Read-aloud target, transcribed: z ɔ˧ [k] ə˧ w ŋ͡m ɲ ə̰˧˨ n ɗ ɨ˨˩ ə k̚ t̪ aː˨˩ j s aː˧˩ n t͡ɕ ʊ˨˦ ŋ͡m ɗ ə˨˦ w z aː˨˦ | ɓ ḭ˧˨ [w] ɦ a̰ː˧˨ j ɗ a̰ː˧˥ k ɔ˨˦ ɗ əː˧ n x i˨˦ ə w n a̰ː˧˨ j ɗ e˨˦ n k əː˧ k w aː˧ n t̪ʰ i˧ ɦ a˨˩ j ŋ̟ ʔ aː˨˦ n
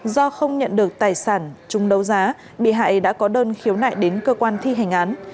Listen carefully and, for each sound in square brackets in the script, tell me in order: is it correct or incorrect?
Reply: incorrect, incorrect

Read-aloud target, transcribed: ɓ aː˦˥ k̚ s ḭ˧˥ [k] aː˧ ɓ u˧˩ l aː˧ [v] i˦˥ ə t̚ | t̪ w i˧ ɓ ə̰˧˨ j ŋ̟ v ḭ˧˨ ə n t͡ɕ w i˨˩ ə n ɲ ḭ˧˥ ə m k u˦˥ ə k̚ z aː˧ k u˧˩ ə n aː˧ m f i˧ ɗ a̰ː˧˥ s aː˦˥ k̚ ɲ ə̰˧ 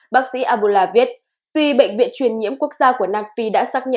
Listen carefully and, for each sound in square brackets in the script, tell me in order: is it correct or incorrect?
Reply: incorrect, correct

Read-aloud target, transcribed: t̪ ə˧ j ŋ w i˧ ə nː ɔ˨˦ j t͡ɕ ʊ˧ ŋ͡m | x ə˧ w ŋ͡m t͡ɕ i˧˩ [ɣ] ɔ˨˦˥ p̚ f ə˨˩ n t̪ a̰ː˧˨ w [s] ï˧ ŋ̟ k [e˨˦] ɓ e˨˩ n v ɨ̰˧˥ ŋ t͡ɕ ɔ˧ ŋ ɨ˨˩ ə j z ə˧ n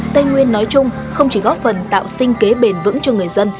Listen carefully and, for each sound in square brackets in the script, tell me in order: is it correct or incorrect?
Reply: correct, correct, correct

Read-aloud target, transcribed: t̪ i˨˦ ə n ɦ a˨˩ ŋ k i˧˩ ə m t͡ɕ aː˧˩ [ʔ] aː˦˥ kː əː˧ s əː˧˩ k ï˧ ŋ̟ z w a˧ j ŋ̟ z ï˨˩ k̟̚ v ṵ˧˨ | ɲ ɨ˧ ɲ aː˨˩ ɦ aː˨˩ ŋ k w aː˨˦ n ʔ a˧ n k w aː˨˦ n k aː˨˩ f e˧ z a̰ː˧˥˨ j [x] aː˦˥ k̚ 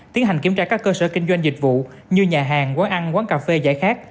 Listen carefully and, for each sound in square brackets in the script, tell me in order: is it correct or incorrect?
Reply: incorrect, correct

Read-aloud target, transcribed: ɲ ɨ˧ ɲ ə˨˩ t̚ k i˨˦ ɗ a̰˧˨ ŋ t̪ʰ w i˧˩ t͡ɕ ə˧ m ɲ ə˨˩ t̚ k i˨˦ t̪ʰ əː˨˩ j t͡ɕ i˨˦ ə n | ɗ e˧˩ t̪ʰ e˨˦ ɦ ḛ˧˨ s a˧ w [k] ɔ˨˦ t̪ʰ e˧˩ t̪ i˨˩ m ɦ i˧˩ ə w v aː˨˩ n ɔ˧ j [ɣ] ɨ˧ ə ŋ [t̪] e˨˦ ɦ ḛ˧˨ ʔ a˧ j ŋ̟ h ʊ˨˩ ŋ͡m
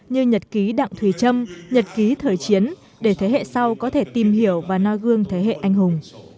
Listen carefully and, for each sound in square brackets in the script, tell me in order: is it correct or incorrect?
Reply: correct, correct, incorrect

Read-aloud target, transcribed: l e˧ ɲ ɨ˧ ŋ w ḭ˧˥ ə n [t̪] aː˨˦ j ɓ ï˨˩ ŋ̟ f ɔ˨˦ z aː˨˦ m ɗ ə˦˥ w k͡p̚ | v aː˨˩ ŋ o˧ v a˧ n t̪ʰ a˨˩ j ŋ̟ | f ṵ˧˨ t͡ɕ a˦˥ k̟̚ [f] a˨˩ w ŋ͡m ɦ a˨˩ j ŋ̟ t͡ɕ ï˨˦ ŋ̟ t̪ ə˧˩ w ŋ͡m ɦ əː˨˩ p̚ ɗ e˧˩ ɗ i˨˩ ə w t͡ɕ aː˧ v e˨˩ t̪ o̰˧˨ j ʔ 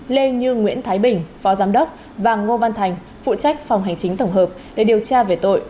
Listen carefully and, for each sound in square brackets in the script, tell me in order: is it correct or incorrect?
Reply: incorrect, correct

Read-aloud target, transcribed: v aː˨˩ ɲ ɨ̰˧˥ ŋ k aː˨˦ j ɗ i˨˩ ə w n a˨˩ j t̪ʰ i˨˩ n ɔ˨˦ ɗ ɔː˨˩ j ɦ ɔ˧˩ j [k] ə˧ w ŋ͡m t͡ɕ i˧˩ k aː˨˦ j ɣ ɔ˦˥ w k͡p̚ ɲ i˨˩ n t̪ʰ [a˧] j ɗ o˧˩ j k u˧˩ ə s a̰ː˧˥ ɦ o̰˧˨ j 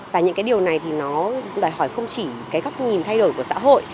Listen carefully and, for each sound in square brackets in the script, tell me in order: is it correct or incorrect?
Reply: incorrect, correct

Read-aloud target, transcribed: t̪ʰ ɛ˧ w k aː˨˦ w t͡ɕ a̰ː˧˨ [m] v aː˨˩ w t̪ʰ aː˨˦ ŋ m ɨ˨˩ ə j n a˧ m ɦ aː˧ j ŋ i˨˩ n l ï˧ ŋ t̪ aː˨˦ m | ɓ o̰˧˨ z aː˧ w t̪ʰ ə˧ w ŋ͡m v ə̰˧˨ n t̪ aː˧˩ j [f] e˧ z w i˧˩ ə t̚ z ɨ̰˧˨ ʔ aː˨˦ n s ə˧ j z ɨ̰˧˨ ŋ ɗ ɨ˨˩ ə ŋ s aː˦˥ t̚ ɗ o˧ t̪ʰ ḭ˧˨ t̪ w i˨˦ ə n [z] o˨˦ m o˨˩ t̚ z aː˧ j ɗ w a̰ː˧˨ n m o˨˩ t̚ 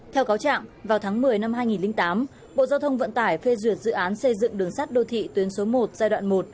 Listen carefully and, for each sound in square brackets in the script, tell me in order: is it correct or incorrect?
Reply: incorrect, correct, incorrect

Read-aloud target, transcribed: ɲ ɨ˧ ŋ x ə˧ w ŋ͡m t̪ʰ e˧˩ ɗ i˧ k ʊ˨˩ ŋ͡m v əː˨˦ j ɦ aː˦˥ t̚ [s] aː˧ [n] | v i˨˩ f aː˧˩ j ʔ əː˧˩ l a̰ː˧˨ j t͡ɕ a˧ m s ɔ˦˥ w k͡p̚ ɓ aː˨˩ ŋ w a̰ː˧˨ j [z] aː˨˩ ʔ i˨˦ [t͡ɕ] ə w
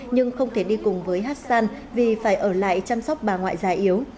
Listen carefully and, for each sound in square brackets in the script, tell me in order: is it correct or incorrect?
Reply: correct, correct, correct, incorrect

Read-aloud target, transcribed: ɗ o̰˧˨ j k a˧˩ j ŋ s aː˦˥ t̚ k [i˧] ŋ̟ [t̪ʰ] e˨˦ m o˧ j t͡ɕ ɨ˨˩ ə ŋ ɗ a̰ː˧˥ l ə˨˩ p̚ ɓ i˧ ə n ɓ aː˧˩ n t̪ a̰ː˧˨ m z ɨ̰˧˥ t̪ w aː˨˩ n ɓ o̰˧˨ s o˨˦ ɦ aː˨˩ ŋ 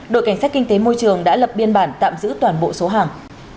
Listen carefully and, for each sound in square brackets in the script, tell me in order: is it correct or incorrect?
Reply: correct, incorrect

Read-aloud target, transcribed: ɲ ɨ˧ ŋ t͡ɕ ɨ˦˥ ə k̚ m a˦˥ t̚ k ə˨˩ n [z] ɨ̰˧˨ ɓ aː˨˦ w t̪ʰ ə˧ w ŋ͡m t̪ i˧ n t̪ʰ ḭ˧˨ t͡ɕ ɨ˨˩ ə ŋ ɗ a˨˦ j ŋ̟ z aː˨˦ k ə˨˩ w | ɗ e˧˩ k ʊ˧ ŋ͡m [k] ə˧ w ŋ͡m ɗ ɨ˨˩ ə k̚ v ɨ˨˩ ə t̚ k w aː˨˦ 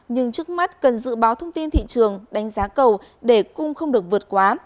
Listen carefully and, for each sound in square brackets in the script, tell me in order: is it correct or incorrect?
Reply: correct, incorrect

